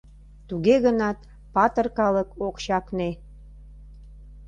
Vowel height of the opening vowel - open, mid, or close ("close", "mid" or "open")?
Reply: close